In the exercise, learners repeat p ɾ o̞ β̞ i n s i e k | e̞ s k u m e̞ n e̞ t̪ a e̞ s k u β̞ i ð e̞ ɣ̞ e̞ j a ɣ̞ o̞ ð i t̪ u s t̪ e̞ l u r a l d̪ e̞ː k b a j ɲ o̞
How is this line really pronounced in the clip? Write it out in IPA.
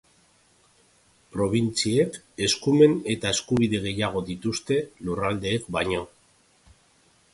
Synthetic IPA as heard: p ɾ o̞ β̞ i n t͡s i e k | e̞ s k u m e̞ n e̞ t̪ a e̞ s k u β̞ i ð e̞ ɣ̞ e̞ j a ɣ̞ o̞ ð i t̪ u s t̪ e̞ l u r a l d̪ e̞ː k b a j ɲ o̞